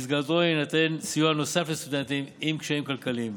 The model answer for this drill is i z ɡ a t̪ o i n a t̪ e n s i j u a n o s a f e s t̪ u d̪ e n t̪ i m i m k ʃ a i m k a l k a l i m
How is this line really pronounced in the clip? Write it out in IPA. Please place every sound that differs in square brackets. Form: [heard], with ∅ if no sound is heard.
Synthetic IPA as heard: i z ɡ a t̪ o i n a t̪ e n s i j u a n o s a f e s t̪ u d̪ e n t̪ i m i m k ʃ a i m k a l k a l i m